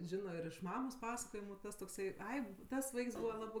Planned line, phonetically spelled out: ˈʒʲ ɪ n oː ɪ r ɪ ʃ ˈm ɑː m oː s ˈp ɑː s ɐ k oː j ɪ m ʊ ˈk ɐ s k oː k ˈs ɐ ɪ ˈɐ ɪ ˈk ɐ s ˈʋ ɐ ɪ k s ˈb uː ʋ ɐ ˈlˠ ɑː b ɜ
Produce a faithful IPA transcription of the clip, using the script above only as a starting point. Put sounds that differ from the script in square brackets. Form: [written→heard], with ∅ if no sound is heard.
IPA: ˈʒʲ ɪ n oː ɪ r ɪ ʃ ˈm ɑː m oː s ˈp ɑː s ɐ k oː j ɪ m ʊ [ˈk→ˈt] ɐ s [k→t] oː k ˈs ɐ ɪ ˈɐ ɪ [ˈk→ˈt] ɐ s ˈʋ ɐ ɪ k s ˈb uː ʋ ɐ ˈlˠ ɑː b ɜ

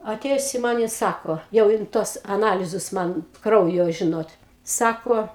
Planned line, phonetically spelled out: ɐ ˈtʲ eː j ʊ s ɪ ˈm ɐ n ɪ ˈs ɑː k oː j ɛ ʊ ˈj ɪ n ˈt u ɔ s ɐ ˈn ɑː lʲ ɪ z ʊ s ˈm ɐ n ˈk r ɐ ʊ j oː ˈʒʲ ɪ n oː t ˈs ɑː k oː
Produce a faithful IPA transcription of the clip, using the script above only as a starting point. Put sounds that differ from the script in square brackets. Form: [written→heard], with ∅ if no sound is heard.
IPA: ɐ ˈtʲ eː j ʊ s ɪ ˈm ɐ n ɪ ˈs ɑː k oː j ɛ ʊ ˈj ɪ n ˈt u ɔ s ɐ ˈn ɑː lʲ ɪ z ʊ s ˈm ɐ n ˈk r ɐ ʊ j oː ˈʒʲ ɪ n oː t ˈs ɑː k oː

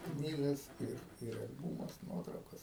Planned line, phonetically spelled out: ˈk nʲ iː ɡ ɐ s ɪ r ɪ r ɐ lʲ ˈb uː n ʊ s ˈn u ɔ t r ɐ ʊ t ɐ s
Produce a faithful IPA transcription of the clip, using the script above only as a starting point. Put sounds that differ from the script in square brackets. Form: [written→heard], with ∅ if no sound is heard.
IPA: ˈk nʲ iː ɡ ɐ s ɪ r ɪ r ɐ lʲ ˈb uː [n→m] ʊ s ˈn u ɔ t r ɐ ʊ [t→k] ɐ s

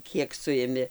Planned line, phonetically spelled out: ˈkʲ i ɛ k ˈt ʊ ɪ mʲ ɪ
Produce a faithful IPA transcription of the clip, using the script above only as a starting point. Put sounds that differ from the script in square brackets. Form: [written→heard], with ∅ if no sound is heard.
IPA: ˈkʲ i ɛ k [ˈt→ˈs] ʊ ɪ mʲ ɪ

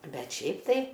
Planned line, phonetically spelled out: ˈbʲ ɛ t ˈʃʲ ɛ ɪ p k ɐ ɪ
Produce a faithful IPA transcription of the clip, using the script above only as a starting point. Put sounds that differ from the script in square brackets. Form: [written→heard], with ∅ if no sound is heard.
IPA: ˈbʲ ɛ t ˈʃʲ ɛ ɪ p [k→t] ɐ ɪ

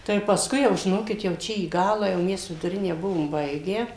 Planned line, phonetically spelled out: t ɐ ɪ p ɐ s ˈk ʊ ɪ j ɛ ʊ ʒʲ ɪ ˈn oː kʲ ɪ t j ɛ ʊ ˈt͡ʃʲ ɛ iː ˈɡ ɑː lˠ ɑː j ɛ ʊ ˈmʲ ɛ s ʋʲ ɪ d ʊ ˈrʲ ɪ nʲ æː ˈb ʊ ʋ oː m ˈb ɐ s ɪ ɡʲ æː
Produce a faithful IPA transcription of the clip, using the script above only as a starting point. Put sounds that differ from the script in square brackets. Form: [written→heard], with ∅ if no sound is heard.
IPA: t ɐ ɪ p ɐ s ˈk ʊ ɪ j ɛ ʊ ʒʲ ɪ ˈn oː kʲ ɪ t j ɛ ʊ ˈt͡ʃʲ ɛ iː ˈɡ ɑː lˠ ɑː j ɛ ʊ ˈmʲ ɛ s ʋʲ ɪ d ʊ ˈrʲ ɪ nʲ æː ˈb ʊ ʋ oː m ˈb ɐ [s→∅] ɪ ɡʲ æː

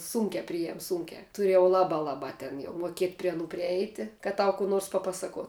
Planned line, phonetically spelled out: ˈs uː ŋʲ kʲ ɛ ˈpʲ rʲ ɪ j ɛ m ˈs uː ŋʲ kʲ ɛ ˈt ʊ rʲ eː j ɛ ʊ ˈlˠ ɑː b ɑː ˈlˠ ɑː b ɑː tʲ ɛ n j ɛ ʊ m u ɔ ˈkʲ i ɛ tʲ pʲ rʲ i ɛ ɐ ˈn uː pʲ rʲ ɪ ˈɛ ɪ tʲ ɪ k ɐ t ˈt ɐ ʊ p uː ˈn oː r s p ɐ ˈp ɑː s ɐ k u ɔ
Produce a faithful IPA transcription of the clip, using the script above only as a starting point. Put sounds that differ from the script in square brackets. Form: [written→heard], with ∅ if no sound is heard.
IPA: ˈs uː ŋʲ kʲ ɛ ˈpʲ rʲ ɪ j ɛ m ˈs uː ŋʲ kʲ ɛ ˈt ʊ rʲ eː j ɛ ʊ ˈlˠ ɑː b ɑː ˈlˠ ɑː b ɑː tʲ ɛ n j ɛ ʊ m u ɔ ˈkʲ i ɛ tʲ pʲ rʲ i ɛ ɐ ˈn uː pʲ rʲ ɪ ˈɛ ɪ tʲ ɪ k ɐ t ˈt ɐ ʊ [p→k] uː ˈn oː r s p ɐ ˈp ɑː s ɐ k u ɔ

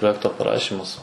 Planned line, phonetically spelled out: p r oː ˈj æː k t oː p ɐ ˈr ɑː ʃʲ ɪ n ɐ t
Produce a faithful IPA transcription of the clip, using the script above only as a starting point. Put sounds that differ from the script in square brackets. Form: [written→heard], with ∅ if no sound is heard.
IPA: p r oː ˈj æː k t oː p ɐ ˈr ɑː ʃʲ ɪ [n→m] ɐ [t→s]

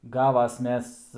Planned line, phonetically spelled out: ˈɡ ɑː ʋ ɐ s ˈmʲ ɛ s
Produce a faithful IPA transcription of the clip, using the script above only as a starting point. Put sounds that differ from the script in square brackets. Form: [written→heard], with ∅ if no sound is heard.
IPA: ˈɡ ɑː ʋ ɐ s ˈmʲ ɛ s

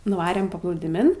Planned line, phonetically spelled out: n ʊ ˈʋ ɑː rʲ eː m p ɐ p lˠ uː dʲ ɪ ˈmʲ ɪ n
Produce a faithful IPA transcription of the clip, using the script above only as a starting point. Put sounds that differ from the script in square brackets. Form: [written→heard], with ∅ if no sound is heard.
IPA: n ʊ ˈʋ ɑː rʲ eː m p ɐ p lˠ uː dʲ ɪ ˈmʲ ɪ n

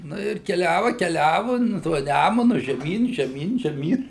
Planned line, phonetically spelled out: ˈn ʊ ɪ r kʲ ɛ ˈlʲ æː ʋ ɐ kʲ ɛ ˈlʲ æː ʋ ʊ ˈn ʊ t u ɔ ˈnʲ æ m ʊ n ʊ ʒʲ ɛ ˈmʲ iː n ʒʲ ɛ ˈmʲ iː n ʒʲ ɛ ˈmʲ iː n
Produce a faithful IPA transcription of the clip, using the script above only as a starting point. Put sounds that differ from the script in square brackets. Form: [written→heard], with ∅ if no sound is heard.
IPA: ˈn ʊ ɪ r kʲ ɛ ˈlʲ æː ʋ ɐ kʲ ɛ ˈlʲ æː ʋ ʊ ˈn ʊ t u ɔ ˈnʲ æ m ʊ n ʊ ʒʲ ɛ ˈmʲ iː n ʒʲ ɛ ˈmʲ iː n ʒʲ ɛ ˈmʲ iː n

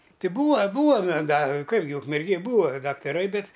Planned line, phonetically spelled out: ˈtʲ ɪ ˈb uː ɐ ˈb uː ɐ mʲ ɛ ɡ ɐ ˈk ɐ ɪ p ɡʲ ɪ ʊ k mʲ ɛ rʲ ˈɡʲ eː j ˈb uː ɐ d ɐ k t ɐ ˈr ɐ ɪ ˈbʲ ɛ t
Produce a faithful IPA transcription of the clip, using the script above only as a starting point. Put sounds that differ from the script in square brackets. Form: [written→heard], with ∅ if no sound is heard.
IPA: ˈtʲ ɪ ˈb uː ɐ ˈb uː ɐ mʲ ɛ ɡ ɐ ˈk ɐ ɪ p ɡʲ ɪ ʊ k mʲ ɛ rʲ ˈɡʲ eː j ˈb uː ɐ d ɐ k t ɐ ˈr ɐ ɪ ˈbʲ ɛ t

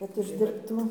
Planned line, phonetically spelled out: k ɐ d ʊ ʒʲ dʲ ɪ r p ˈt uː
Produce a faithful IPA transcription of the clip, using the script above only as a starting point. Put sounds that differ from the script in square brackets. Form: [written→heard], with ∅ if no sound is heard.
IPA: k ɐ [d→t] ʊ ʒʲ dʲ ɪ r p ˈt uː

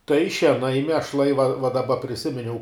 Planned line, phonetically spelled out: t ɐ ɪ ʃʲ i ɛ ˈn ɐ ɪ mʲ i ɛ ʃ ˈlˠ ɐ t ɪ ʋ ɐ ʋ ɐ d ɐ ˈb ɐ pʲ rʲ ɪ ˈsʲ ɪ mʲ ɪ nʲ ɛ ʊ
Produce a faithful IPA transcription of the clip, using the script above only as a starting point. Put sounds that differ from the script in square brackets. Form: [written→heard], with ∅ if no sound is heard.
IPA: t ɐ ɪ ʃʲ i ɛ ˈn ɐ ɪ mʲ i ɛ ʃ ˈlˠ ɐ [t→∅] ɪ ʋ ɐ ʋ ɐ d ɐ ˈb ɐ pʲ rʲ ɪ ˈsʲ ɪ mʲ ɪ nʲ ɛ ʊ

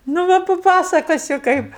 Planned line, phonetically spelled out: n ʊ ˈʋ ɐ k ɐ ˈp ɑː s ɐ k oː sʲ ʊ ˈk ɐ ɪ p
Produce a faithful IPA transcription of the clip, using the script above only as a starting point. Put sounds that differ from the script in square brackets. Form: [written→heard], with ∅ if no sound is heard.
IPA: n ʊ ˈʋ ɐ [k→p] ɐ ˈp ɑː s ɐ k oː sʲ ʊ ˈk ɐ ɪ p

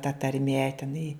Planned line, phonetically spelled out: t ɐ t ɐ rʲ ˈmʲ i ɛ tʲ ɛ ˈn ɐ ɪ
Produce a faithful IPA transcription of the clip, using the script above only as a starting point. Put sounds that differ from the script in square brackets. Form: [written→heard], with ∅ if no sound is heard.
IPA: t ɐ t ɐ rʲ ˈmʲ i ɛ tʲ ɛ ˈn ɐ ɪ

